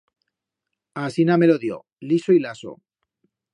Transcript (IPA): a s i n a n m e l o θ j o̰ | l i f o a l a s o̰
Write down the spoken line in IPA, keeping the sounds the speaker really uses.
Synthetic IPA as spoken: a s i n a m e l o ð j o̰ | l i s o i l a s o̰

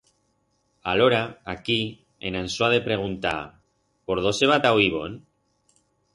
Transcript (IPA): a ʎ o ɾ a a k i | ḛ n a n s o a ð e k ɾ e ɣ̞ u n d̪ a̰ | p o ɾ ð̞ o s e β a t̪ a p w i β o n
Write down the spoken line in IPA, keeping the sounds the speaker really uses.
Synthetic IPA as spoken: a l o ɾ a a k i | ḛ n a n s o a ð e p ɾ e ɣ̞ u n t̪ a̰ | p o ɾ ð̞ o s e β a t̪ a w i β o n

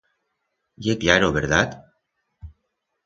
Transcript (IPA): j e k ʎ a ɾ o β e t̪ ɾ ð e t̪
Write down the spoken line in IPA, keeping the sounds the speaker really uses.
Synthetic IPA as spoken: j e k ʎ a ɾ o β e ɾ ð a t̪

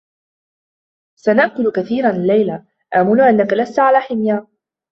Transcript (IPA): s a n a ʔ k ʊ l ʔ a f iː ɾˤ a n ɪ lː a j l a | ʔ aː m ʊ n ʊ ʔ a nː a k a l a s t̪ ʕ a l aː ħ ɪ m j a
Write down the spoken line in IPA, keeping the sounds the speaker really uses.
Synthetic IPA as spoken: s a n a ʔ k ʊ l k a θ iː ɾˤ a n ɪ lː a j l a | ʔ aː m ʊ n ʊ ʔ a nː a k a l a s t̪ ʕ a l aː ħ ɪ m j a

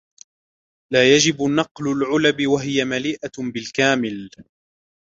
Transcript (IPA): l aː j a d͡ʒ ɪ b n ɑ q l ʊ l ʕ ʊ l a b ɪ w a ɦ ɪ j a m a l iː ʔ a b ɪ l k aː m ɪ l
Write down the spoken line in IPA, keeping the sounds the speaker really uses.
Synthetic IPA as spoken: l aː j a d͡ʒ ɪ b n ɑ q l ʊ l ʕ ʊ l a b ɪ w a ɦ ɪ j a m a l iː ʔ a b ɪ l k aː m ɪ l

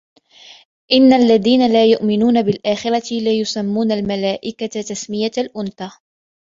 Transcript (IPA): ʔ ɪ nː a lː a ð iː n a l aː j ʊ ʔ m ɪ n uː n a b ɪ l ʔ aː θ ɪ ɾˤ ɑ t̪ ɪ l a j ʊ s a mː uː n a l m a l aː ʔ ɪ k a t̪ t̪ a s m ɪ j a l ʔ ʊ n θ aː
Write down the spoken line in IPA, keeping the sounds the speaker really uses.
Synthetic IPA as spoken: ʔ ɪ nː a lː a ð iː n a l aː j ʊ ʔ m ɪ n uː n a b ɪ l ʔ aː x ɪ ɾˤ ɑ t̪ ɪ l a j ʊ s a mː uː n a l m a l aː ʔ ɪ k a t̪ t̪ a s m ɪ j a l ʔ ʊ n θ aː

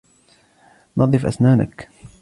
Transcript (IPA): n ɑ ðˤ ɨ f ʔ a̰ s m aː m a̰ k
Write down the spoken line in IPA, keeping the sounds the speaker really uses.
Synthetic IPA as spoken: n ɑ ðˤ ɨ f ʔ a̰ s n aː n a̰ k

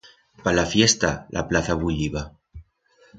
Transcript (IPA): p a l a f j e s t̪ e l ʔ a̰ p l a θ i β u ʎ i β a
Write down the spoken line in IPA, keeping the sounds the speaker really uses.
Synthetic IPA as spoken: p a l a f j e s t̪ a l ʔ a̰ p l a θ a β u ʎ i β a

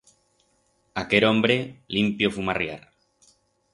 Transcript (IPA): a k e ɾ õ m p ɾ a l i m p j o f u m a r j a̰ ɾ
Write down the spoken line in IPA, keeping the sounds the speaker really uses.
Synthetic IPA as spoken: a k e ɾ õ m b ɾ e l i m p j o f u m a r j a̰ ɾ

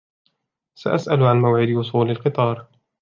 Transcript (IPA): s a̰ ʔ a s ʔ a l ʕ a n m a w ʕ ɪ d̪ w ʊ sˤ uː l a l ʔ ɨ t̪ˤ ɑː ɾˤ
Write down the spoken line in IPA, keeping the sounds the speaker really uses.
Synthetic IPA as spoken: s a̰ ʔ a s ʔ a l ʕ a n m a w ʕ ɪ d̪ w ʊ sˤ uː l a l q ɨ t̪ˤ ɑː ɾˤ

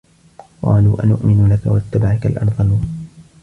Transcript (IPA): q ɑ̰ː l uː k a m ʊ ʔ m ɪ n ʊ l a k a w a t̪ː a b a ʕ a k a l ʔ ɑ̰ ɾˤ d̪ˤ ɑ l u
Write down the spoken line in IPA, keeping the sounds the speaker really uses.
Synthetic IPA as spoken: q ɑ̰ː l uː ʔ a n ʊ ʔ m ɪ n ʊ l a k a w a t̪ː a b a ʕ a k a l ʔ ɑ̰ ɾˤ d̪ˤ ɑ l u

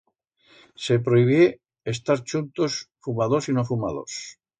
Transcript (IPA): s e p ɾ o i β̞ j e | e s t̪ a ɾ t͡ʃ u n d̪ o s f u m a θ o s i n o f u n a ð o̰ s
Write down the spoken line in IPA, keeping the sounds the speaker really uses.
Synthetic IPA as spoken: s e p ɾ o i β̞ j e | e s t̪ a ɾ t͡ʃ u n t̪ o s f u m a ð o s i n o f u m a ð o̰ s

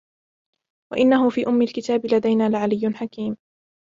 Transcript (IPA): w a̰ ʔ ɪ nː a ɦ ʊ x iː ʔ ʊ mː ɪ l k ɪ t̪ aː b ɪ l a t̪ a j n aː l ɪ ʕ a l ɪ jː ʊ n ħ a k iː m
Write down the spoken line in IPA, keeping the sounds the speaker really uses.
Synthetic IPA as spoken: w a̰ ʔ ɪ nː a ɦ ʊ f iː ʔ ʊ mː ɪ l k ɪ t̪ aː b ɪ l a d̪ a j n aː l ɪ ʕ a l ɪ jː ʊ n ħ a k iː m

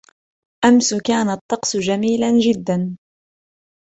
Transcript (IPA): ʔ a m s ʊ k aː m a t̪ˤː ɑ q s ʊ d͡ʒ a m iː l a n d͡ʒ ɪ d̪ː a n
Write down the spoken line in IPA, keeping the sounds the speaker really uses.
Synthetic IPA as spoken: ʔ a m s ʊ k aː n a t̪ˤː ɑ q s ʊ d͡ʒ a m iː l a n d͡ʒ ɪ d̪ː a n

